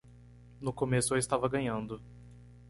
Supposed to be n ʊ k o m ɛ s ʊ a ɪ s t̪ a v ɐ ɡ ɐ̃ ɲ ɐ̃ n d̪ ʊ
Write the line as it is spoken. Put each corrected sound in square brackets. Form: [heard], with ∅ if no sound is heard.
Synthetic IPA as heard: n ʊ k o m [e] s ʊ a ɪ s t̪ a v ɐ ɡ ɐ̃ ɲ ɐ̃ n d̪ ʊ